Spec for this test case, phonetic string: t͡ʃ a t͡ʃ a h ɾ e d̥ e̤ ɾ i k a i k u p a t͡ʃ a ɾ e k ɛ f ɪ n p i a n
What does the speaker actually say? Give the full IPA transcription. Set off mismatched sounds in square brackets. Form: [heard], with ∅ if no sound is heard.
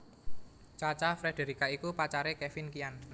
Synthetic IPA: t͡ʃ a t͡ʃ a [f] ɾ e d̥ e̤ ɾ i k a i k u p a t͡ʃ a ɾ e k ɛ f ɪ n [k] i a n